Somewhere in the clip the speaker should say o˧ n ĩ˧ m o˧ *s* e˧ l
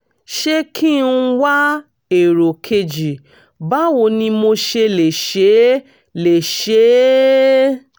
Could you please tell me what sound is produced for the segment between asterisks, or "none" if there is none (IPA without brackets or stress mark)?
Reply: ʃ